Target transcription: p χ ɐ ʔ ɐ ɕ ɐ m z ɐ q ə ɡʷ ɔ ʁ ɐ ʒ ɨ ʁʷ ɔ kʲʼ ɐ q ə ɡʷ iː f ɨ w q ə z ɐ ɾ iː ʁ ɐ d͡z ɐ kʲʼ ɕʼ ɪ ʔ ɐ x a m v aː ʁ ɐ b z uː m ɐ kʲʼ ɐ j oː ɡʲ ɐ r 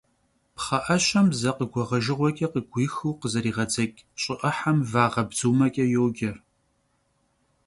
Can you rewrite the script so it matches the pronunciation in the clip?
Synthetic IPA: p χ ɐ ʔ ɐ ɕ ɐ m z ɐ q ə ɡʷ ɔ ʁ ɐ ʒ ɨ ʁʷ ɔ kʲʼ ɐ q ə ɡʷ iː x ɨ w q ə z ɐ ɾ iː ʁ ɐ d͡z ɐ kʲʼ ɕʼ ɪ ʔ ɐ ħ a m v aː ʁ ɐ b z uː m ɐ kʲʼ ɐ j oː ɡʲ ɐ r